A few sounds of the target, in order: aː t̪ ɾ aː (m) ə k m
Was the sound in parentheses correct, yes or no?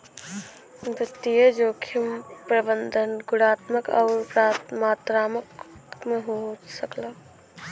yes